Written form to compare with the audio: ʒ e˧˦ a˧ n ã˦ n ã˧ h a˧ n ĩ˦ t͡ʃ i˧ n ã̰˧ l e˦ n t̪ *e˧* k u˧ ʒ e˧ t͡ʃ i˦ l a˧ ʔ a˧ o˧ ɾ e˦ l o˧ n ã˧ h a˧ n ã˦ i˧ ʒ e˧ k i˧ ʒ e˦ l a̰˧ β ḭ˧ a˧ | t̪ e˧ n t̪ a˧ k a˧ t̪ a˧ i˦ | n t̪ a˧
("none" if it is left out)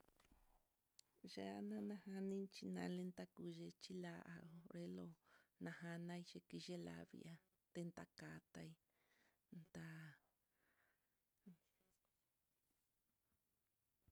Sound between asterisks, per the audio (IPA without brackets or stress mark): a˧